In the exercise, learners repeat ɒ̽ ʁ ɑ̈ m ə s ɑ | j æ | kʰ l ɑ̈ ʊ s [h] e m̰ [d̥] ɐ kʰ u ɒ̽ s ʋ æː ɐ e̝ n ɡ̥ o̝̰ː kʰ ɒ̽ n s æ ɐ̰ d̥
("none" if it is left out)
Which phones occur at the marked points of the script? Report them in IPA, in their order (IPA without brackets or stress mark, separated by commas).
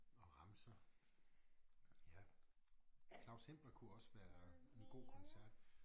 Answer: h, b̥